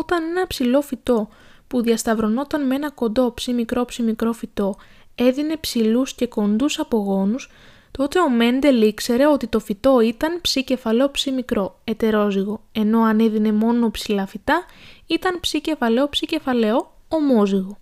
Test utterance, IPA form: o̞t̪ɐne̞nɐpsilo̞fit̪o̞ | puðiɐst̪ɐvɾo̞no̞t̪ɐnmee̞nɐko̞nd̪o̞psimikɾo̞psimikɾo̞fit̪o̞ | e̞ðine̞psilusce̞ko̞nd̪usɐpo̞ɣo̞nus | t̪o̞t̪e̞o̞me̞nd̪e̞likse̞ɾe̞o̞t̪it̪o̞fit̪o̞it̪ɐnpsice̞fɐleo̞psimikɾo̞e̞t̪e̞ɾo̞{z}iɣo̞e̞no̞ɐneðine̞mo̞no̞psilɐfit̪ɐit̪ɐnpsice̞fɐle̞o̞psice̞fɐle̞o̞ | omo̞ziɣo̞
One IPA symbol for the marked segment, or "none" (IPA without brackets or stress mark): z